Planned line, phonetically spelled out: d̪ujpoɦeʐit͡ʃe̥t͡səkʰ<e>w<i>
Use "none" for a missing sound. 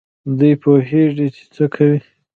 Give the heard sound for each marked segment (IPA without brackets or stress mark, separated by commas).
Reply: a, i